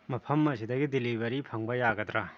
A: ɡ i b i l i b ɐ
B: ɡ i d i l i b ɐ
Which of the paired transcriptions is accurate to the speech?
B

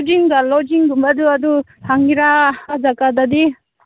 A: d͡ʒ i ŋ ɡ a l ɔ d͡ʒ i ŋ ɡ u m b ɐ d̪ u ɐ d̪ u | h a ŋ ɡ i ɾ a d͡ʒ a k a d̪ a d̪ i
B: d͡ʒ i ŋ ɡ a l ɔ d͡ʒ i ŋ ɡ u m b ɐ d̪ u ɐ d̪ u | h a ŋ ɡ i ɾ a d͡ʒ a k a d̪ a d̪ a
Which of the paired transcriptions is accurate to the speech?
A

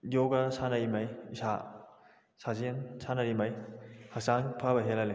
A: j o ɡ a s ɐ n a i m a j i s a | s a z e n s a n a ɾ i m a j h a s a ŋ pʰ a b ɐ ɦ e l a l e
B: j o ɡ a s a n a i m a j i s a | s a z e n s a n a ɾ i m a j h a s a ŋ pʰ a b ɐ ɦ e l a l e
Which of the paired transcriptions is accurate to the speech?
B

